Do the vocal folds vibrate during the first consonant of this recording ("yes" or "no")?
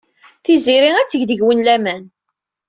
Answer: no